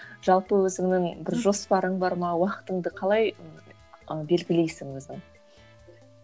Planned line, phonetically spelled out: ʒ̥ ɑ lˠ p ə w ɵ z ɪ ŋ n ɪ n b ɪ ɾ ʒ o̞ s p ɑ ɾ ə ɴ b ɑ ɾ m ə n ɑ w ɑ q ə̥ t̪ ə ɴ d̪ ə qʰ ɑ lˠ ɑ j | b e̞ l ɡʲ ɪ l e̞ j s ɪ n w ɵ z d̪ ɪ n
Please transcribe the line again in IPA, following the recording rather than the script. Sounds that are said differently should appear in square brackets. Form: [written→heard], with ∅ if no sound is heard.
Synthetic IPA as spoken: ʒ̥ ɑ lˠ p ə w ɵ z ɪ ŋ n ɪ [n→ŋ] b ɪ ɾ ʒ o̞ s p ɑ ɾ ə ɴ b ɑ ɾ m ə n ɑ w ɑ q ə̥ t̪ ə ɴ d̪ ə qʰ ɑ lˠ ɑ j | b e̞ l ɡʲ ɪ l e̞ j s ɪ [n→ŋ] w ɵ z d̪ ɪ [n→ŋ]